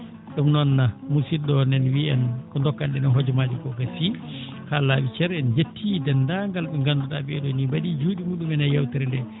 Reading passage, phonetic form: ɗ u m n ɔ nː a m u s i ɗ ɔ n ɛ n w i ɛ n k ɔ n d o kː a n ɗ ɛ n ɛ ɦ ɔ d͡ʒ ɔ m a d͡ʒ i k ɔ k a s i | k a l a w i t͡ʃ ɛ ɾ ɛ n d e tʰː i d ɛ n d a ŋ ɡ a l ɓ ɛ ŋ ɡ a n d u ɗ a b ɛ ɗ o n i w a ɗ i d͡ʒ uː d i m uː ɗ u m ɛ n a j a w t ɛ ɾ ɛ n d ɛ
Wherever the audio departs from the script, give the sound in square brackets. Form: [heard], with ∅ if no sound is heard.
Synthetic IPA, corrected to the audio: ɗ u m n ɔ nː a m u s i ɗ ɔ n ɛ n w i ɛ n k ɔ n d [ɔ] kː a n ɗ ɛ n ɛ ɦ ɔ d͡ʒ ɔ m a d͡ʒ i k ɔ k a s i | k a l a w i t͡ʃ ɛ ɾ ɛ n [d͡ʒ] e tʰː i d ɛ n d a ŋ ɡ a l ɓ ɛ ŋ ɡ a n d u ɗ a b ɛ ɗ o n i [b] a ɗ i d͡ʒ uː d i m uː ɗ u m ɛ n a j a w t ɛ ɾ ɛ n d ɛ